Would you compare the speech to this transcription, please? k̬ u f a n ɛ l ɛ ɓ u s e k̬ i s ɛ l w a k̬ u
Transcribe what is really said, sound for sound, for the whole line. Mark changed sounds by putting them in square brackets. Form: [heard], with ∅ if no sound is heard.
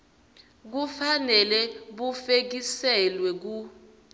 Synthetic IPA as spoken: k̬ u f a n ɛ l ɛ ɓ u [f] e k̬ i s ɛ l w [ɛ] k̬ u

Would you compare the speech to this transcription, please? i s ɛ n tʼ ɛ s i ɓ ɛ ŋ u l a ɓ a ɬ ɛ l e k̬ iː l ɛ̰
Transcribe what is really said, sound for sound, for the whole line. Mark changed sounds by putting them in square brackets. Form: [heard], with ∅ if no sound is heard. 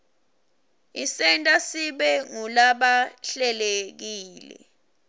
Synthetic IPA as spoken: i s ɛ n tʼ [a] s i ɓ ɛ ŋ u l a ɓ a ɬ ɛ l e k̬ iː l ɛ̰

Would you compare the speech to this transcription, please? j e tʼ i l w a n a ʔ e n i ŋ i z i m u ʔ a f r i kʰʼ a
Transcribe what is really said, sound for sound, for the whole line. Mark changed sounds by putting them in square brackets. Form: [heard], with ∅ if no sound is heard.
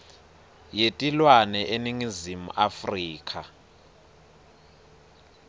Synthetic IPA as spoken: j e tʼ i l w a n [ɛ] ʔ e n i ŋ i z i m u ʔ a f r [iː] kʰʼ a

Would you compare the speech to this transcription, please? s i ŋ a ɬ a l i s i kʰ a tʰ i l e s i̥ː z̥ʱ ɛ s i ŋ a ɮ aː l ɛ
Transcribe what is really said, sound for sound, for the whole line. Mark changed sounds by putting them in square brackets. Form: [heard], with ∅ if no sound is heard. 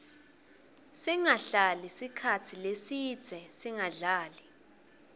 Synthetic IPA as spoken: s i ŋ a ɬ a l i s i kʰ a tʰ i l e s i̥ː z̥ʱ ɛ s i ŋ a ɮ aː l [i]

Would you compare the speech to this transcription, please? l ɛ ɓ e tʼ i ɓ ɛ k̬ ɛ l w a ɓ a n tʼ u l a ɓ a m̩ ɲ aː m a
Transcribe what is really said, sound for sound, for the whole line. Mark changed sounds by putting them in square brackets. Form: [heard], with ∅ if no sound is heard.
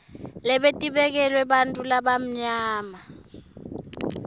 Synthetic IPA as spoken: l ɛ ɓ e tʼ i ɓ ɛ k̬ ɛ l w [ɛ] ɓ a n tʼ u l a ɓ a m̩ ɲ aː m a

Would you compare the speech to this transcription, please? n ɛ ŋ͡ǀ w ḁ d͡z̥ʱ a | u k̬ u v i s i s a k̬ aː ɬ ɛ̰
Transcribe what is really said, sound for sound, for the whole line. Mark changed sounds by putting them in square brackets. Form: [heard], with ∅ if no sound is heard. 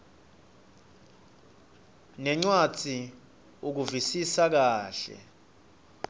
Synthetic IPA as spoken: n ɛ ŋ͡ǀ w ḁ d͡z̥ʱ [i] | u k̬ u v i s i s a k̬ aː ɬ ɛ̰

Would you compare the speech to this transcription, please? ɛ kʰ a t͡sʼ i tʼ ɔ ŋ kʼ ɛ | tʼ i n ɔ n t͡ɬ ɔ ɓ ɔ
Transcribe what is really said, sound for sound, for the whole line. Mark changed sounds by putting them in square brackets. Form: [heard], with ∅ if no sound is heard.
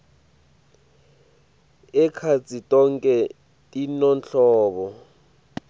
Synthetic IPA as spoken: ɛ kʰ a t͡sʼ i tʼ ɔ ŋ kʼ ɛ | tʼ i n ɔ n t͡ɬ [ɔː] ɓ ɔ

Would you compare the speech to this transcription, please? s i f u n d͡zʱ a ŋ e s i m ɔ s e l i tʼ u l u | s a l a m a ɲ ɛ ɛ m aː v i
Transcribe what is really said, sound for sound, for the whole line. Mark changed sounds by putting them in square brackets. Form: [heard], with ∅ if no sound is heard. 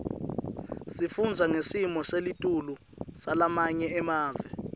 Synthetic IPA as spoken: s i f u n d͡zʱ a ŋ e s i m ɔ s e l i tʼ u l u | s a l a m a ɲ ɛ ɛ m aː v [ɛ]

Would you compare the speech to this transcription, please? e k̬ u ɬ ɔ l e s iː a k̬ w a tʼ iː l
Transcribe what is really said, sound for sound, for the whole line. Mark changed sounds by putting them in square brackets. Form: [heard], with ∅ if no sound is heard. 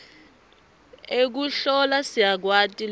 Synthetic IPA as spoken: e k̬ u ɬ ɔ l [a] s [i] a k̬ w a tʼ [i] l

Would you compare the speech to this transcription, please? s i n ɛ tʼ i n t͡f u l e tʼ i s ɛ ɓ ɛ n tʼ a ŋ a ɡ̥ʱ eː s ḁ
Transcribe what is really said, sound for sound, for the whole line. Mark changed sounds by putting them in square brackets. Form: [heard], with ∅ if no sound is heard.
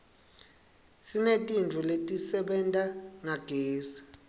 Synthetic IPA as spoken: s i n [e] tʼ i n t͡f u l e tʼ i s ɛ ɓ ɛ n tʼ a ŋ a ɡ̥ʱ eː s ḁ

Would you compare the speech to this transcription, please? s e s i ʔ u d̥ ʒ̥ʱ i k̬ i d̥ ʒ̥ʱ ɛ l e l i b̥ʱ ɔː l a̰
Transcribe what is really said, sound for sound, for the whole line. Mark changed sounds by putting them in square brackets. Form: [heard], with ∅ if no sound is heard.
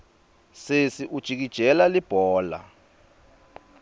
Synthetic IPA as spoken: s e s i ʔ u d̥ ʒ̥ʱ i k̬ i d̥ ʒ̥ʱ ɛ l [a] l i b̥ʱ ɔː l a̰

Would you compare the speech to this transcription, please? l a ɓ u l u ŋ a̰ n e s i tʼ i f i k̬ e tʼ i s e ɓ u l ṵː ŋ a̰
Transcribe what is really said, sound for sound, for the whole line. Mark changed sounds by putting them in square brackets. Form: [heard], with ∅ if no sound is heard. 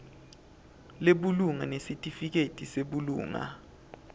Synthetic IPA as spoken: l [e] ɓ u l u ŋ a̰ n e s i tʼ i f i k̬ e tʼ i s e ɓ u l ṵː ŋ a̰

